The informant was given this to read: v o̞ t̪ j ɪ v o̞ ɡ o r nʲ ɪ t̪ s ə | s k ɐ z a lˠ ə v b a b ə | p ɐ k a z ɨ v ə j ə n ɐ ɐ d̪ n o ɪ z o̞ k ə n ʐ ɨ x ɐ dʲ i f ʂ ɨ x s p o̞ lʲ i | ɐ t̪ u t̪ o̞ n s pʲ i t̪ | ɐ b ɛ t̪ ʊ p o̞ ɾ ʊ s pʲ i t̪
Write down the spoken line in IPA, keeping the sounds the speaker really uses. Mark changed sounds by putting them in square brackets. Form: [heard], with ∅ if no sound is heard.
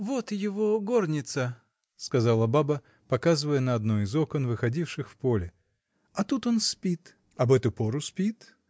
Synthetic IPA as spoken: v o̞ t̪ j ɪ v o̞ ɡ o r nʲ ɪ t̪ s ə | s k ɐ z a lˠ ə [∅] b a b ə | p ɐ k a z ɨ v ə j ə n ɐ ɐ d̪ n o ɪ z o̞ k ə n [v] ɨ x ɐ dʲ i f ʂ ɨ x [f] p o̞ lʲ [ɪ] | ɐ t̪ u t̪ o̞ n s pʲ i t̪ | ɐ b ɛ t̪ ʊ p o̞ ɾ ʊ s pʲ i t̪